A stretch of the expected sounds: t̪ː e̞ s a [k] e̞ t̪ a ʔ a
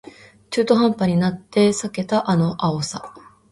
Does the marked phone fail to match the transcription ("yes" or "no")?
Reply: no